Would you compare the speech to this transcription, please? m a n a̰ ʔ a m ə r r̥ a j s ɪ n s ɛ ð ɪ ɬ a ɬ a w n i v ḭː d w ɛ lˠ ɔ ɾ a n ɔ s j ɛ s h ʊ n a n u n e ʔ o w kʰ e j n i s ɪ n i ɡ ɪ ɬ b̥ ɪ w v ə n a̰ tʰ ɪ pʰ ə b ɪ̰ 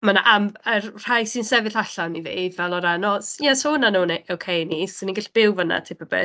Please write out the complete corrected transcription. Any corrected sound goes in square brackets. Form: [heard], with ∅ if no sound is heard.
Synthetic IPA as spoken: m a n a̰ ʔ a m ə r r̥ a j s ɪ n s ɛ [v] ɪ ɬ a ɬ a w n i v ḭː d [v] ɛ lˠ ɔ ɾ a n ɔ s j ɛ s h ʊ n a n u n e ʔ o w kʰ e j n i s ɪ n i ɡ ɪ ɬ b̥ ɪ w v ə n a̰ tʰ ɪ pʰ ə b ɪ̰

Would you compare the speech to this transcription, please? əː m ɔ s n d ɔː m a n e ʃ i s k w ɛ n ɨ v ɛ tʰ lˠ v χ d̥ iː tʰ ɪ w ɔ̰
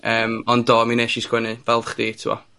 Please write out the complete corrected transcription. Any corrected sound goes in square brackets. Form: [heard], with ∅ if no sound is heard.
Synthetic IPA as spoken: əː m ɔ [∅] n d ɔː m [i] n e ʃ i s k w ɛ n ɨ v ɛ [∅] lˠ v χ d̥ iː tʰ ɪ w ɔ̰

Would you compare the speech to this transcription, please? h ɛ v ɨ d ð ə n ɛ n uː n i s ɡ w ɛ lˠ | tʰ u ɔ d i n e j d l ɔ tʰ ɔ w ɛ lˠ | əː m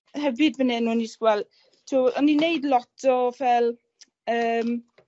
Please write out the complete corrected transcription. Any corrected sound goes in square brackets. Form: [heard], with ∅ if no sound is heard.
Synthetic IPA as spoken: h ɛ v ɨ d [v] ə n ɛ n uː n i s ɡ w ɛ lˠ | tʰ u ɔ [n] i n e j d l ɔ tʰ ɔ [v] ɛ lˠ | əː m

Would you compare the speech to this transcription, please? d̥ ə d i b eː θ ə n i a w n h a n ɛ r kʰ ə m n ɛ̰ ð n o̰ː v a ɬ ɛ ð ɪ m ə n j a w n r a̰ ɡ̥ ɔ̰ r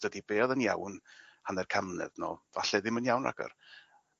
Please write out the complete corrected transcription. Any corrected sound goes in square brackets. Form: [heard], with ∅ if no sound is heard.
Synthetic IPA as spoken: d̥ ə d i b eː [ð] ə n [j] a w n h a n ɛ r kʰ [a] m n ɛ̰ ð n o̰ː v a ɬ ɛ ð ɪ m ə n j a w n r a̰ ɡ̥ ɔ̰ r

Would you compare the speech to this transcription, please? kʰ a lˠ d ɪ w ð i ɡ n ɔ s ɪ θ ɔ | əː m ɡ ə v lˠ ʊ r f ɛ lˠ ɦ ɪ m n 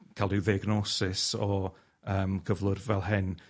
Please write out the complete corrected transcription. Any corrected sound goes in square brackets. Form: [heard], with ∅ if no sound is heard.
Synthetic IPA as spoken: kʰ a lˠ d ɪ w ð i ɡ n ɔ s ɪ [s] ɔ | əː m ɡ ə v lˠ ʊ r [v] ɛ lˠ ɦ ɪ [∅] n

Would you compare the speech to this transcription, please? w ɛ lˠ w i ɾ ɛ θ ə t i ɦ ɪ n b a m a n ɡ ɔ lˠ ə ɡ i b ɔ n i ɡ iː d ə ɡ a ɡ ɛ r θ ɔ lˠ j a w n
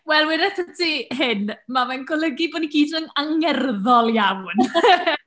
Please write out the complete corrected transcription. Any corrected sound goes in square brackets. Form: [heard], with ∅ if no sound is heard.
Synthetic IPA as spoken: w ɛ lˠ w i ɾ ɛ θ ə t i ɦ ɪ n [m] a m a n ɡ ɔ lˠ ə ɡ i b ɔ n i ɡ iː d ə [ŋ] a [ŋ] ɛ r [ð] ɔ lˠ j a w n

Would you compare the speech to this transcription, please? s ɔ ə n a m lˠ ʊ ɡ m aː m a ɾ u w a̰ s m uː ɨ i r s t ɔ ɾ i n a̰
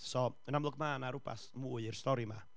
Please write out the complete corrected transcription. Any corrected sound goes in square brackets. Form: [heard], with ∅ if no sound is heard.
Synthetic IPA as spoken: s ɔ ə n a m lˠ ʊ ɡ m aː [n] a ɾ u [b] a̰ s m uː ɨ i r s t ɔ ɾ i [m] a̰

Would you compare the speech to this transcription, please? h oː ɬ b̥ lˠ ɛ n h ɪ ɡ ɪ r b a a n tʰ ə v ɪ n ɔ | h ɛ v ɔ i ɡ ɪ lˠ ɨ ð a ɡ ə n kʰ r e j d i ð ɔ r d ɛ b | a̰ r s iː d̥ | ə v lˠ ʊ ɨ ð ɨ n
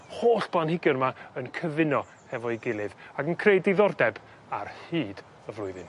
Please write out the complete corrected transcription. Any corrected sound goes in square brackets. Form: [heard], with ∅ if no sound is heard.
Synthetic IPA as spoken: h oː ɬ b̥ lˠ [a] n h ɪ ɡ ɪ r [m] a [ə] n [kʰ] ə v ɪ n ɔ | h ɛ v ɔ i ɡ ɪ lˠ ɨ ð a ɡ ə n kʰ r e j d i ð ɔ r d ɛ b | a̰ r [h] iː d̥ | ə v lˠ ʊ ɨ ð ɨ n

